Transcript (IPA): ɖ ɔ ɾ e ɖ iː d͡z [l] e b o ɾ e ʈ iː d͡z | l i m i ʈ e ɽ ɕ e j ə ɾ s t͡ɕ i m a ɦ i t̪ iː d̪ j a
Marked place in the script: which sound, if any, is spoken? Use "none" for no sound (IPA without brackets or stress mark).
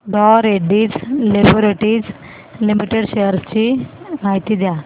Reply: l